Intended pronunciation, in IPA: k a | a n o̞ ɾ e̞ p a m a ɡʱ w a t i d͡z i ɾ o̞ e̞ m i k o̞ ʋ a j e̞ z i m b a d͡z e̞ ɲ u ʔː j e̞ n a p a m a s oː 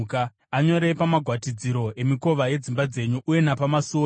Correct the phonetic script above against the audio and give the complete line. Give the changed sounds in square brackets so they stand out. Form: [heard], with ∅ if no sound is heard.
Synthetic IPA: k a | a [ɲ] o̞ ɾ e̞ p a m a ɡʱ w a t i d͡z i ɾ o̞ e̞ m i k o̞ ʋ a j e̞ [d͡z] i m b a d͡z e̞ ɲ u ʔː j e̞ n a p a m a s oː